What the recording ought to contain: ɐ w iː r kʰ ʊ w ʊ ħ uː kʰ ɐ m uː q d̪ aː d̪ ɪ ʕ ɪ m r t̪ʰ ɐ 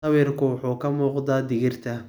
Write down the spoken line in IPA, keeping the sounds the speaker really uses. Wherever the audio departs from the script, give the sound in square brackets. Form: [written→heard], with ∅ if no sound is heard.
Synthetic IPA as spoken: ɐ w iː r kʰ ʊ w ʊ ħ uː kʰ ɐ m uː q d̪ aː d̪ ɪ [ʕ→ɣ] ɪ [m→∅] r t̪ʰ ɐ

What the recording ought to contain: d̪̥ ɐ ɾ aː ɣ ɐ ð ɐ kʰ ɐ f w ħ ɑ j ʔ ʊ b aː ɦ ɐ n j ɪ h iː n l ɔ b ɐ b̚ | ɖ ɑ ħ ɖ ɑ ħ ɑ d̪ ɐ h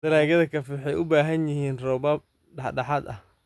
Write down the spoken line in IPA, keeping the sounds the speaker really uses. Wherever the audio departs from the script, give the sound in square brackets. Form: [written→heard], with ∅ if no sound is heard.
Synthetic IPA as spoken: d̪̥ ɐ ɾ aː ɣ ɐ ð ɐ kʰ ɐ f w ħ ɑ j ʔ ʊ b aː ɦ ɐ n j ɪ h iː n [l→r] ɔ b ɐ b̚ | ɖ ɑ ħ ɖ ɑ ħ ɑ d̪ ɐ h

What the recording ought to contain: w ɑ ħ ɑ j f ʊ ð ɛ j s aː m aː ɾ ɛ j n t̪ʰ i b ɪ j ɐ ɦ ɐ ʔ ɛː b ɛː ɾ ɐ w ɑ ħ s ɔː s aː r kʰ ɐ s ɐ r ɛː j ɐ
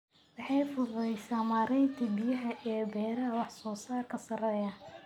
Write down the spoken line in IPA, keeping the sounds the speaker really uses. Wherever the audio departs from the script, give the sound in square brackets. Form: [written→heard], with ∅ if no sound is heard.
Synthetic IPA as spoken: w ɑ ħ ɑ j f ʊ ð ɛ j s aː m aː ɾ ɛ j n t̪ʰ i b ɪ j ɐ ɦ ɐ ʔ ɛː b ɛː ɾ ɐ w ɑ ħ s ɔː s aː r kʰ ɐ s ɐ r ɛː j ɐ

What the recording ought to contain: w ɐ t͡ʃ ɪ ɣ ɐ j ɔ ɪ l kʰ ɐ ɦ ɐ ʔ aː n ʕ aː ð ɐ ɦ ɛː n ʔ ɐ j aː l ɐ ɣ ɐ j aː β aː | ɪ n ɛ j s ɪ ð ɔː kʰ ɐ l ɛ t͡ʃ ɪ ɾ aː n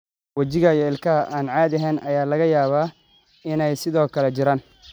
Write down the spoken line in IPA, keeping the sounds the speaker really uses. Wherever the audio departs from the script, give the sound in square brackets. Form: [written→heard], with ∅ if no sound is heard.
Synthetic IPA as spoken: w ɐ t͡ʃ ɪ ɣ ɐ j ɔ ɪ l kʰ ɐ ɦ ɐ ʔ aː n ʕ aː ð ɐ ɦ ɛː n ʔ ɐ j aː l ɐ ɣ ɐ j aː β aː | ɪ n ɛ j s ɪ ð ɔː kʰ ɐ l ɛ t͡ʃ ɪ ɾ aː n

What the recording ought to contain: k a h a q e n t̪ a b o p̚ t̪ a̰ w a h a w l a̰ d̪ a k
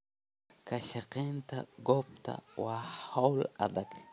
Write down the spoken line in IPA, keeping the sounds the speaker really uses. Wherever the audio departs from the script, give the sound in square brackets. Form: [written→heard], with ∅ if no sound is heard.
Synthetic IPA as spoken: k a [h→ʃ] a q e n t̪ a [b→ɡ] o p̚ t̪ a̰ w a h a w l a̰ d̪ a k

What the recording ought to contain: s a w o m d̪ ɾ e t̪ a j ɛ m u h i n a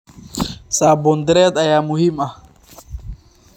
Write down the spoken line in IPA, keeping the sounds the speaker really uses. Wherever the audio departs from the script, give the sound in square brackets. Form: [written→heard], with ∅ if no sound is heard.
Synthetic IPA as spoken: s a [w→b] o [m→n] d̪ ɾ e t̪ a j [ɛ→a] m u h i [n→m] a

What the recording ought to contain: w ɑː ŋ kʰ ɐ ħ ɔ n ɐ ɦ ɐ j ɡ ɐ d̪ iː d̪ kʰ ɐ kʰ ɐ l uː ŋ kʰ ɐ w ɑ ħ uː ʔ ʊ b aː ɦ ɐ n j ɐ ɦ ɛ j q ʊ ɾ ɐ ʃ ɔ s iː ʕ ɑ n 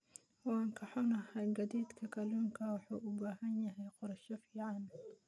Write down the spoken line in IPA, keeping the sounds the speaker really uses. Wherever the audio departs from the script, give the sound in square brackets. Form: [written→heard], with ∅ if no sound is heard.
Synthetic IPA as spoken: w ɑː ŋ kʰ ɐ ħ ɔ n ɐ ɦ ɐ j ɡ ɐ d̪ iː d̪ kʰ ɐ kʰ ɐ l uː ŋ kʰ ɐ w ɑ ħ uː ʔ ʊ b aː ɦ ɐ n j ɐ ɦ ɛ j q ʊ ɾ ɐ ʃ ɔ [s→f] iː ʕ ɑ n

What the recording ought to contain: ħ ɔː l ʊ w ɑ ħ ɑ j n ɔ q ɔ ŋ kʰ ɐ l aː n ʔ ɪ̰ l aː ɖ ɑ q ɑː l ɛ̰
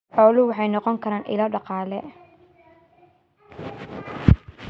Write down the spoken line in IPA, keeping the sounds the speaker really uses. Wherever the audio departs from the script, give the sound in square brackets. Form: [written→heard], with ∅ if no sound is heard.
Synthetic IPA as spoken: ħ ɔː l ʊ w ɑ ħ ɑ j n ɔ q ɔ ŋ kʰ ɐ [l→ɾ] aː n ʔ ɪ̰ l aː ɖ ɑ q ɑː l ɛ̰

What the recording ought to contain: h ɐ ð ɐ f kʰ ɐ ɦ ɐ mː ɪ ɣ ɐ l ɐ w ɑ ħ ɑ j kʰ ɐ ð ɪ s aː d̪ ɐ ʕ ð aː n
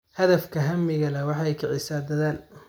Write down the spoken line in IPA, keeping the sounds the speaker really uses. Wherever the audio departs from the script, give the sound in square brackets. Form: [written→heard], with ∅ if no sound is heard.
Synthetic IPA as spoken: h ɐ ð ɐ f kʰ ɐ ɦ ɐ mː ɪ ɣ ɐ l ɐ w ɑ ħ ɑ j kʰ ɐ [ð→ʕ] ɪ s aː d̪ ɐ [ʕ→∅] ð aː n

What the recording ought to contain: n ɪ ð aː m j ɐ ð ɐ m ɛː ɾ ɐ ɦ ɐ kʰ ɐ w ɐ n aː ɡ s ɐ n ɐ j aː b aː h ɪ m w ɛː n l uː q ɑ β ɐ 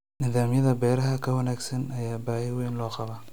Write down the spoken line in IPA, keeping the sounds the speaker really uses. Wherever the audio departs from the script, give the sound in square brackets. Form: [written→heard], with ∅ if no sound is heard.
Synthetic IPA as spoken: n ɪ ð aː m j ɐ ð ɐ [m→b] ɛː ɾ ɐ ɦ ɐ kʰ ɐ w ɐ n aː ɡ s ɐ n ɐ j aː b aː h ɪ [m→∅] w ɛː n l [uː→ɔː] q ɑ β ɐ

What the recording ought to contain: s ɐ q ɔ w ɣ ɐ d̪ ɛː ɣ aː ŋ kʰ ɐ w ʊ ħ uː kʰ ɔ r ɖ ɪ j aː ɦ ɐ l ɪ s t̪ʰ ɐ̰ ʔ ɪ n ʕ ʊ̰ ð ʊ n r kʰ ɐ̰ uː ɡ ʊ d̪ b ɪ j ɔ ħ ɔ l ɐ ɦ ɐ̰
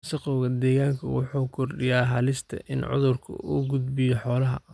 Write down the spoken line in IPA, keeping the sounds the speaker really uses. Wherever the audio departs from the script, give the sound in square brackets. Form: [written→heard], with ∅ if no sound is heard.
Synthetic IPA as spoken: s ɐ q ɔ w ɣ ɐ d̪ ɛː ɣ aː ŋ kʰ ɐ w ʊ ħ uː kʰ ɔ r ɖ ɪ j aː ɦ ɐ l ɪ s t̪ʰ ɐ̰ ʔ ɪ n ʕ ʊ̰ ð ʊ [n→∅] r kʰ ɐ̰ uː ɡ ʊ d̪ b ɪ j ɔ ħ [ɔ→ɔː] l ɐ ɦ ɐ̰

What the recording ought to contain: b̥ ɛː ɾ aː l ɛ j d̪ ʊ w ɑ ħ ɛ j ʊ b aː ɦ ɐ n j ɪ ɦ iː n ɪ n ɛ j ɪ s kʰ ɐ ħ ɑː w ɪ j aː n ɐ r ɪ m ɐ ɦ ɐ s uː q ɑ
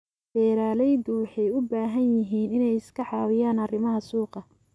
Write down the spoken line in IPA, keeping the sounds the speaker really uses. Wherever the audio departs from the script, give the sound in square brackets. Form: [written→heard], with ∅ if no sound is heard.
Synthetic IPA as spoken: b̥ ɛː ɾ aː l ɛ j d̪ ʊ w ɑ ħ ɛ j ʊ b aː ɦ ɐ n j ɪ ɦ iː n ɪ n ɛ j ɪ s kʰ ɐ ħ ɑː w ɪ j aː n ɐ r ɪ m ɐ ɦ ɐ s uː q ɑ

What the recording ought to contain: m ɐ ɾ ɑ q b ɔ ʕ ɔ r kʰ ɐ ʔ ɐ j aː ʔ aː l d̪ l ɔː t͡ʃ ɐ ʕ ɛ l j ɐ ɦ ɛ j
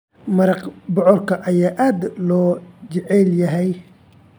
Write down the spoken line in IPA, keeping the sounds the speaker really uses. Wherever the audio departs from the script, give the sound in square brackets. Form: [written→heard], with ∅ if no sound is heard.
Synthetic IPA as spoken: m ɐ ɾ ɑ q b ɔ ʕ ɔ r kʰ ɐ ʔ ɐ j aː ʔ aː [l→∅] d̪ l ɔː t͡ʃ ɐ ʕ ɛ l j ɐ ɦ ɛ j

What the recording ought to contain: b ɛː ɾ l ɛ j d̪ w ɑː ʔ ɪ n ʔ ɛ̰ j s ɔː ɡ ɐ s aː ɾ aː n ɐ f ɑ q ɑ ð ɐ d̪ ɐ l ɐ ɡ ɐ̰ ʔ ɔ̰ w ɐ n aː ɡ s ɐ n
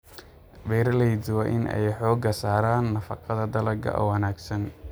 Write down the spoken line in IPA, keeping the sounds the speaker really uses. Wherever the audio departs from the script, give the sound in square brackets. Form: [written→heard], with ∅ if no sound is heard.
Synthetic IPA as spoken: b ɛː ɾ l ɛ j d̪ w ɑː ʔ ɪ n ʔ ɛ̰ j [s→ħ] ɔː ɡ ɐ s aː ɾ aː [n→nː] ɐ f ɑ q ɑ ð ɐ d̪ ɐ l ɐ ɡ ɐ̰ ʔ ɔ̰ w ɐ n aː ɡ s ɐ n

